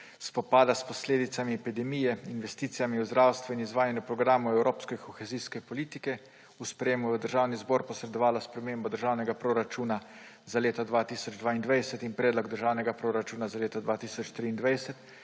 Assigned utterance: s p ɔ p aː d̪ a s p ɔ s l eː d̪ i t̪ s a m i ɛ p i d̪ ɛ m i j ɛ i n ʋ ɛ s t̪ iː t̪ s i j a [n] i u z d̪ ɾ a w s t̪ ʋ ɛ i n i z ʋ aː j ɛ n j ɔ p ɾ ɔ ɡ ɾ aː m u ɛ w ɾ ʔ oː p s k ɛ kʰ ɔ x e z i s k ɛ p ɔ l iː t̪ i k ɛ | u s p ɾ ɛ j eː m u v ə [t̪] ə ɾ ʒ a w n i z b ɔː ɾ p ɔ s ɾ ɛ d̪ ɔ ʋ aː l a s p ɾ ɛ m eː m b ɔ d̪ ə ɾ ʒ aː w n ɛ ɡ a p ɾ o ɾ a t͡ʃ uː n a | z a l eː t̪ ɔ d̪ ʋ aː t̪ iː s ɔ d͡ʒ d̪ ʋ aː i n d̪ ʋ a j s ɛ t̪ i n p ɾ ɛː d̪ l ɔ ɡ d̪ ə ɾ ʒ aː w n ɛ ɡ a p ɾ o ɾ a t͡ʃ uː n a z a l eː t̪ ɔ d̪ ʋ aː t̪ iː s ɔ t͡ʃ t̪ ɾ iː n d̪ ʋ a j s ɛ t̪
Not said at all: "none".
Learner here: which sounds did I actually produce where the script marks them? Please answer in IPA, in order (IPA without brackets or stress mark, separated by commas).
m, d̪